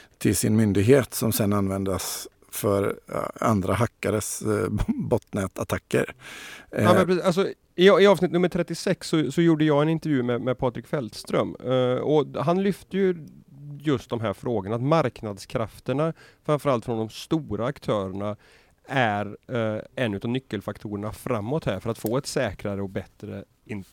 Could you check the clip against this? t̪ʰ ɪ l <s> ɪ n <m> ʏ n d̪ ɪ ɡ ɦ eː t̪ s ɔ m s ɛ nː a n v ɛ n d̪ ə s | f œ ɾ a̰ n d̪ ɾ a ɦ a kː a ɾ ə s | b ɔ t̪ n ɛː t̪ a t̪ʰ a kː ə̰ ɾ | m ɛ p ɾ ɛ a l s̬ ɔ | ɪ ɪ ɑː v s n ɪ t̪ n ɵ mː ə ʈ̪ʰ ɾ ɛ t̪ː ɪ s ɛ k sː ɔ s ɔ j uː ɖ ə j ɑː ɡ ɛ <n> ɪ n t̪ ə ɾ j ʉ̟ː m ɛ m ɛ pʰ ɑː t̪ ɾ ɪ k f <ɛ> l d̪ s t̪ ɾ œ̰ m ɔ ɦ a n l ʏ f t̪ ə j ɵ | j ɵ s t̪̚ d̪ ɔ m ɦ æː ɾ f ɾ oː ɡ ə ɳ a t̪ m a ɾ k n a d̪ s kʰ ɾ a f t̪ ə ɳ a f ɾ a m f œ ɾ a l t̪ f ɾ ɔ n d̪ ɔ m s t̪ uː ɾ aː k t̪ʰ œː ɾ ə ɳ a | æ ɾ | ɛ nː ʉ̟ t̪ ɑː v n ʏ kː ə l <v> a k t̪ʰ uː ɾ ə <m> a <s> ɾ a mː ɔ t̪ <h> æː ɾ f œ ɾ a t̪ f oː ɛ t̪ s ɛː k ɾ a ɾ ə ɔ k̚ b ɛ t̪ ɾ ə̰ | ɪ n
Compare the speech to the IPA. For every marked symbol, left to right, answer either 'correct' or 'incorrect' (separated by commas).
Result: correct, correct, correct, correct, incorrect, incorrect, incorrect, correct